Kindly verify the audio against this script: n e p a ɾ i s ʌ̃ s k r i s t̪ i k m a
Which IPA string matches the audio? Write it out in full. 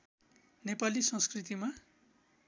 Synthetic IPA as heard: n e p a l i s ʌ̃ s k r i t̪ i m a